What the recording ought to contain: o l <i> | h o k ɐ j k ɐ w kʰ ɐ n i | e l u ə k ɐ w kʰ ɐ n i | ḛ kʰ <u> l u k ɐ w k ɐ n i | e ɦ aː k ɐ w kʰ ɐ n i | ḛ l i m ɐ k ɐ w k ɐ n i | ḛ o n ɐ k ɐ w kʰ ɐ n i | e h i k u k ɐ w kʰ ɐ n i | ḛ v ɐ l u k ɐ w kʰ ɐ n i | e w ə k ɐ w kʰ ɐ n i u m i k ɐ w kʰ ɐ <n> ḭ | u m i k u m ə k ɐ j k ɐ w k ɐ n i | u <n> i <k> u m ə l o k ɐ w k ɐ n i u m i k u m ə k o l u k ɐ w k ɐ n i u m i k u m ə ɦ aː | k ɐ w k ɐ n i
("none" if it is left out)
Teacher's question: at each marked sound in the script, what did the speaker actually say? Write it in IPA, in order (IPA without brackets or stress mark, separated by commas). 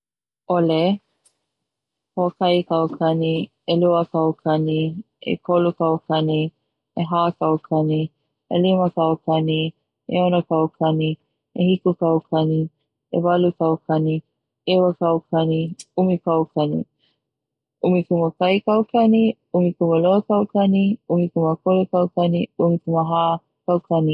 e, o, n, m, k